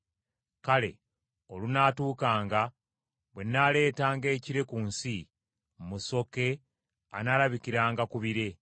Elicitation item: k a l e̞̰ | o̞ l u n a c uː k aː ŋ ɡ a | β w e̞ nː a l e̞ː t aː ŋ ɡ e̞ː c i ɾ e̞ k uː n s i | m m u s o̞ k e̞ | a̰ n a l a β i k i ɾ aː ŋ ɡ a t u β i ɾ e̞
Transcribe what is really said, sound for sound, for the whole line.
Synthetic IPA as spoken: k a l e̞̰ | o̞ l u n a t uː k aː ŋ ɡ a | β w e̞ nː a l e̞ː t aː ŋ ɡ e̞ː c i ɾ e̞ k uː n s i | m m u s o̞ k e̞ | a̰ n a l a β i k i ɾ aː ŋ ɡ a k u β i ɾ e̞